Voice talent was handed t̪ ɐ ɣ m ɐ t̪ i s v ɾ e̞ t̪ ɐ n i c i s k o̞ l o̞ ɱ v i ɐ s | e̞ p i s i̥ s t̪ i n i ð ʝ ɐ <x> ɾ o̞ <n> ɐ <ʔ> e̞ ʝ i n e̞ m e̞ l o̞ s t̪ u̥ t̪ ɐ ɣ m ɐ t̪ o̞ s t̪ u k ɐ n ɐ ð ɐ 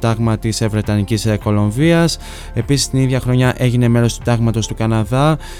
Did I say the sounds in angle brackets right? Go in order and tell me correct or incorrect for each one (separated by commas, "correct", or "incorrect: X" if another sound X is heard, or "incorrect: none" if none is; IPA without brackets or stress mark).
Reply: correct, incorrect: ɲ, correct